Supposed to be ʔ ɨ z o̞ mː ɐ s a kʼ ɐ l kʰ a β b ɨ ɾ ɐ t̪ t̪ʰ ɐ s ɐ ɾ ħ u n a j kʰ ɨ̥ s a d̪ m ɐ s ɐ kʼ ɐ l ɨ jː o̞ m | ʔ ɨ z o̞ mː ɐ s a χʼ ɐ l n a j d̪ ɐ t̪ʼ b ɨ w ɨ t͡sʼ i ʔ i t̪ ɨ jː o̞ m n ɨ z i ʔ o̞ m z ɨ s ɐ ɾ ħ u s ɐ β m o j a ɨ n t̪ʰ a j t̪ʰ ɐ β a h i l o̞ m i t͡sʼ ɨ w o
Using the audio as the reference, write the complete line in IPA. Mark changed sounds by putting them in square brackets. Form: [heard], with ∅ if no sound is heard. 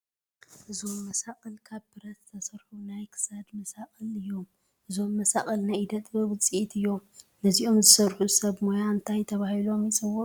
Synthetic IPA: ʔ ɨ z o̞ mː ɐ s a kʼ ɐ l kʰ a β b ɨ ɾ ɐ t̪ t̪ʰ ɐ s ɐ ɾ ħ u n a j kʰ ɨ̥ s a d̪ m ɐ s [a] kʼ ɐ l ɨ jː o̞ m | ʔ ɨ z o̞ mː ɐ s a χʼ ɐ l n a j d̪ ɐ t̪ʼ b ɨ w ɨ t͡sʼ i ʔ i t̪ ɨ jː o̞ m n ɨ z i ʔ o̞ m z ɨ s ɐ ɾ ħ u s ɐ β m o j a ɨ n t̪ʰ a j t̪ʰ ɐ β a h i l o̞ m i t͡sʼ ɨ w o